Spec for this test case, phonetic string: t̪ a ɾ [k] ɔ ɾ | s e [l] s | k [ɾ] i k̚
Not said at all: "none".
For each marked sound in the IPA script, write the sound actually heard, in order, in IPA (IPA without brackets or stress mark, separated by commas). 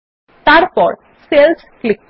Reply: p, l, l